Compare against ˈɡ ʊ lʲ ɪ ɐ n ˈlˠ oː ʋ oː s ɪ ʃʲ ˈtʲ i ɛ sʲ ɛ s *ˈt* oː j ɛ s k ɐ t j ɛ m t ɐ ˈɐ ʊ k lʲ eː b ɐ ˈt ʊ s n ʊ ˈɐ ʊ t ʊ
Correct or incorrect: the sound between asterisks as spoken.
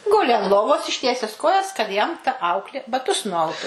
incorrect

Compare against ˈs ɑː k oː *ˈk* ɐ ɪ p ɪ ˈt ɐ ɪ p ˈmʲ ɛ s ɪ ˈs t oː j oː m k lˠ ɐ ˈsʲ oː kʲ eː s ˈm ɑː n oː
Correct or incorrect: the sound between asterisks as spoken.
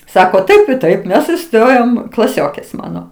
incorrect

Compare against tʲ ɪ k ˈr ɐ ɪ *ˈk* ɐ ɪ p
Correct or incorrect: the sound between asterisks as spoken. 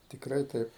incorrect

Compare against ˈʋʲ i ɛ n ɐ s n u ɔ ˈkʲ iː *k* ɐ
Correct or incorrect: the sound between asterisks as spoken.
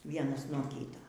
incorrect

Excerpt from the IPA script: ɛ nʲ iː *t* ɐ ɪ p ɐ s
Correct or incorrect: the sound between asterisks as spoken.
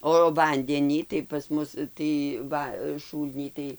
correct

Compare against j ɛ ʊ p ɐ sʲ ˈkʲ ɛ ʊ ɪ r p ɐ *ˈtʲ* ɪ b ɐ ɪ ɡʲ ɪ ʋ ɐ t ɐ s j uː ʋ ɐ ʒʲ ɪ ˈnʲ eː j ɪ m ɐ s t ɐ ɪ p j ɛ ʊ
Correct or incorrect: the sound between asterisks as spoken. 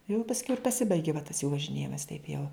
incorrect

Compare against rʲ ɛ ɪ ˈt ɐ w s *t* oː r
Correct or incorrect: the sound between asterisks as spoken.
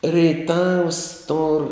correct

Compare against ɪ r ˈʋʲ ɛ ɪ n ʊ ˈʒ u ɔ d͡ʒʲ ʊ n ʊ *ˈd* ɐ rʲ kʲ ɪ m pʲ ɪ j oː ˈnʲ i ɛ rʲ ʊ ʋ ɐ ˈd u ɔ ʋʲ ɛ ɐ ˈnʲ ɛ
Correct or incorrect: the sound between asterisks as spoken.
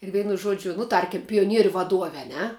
incorrect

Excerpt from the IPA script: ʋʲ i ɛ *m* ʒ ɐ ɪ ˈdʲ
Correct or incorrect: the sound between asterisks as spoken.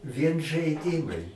incorrect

